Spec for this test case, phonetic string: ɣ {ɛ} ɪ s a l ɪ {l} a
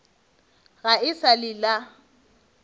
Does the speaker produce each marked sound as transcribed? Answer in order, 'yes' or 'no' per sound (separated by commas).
no, yes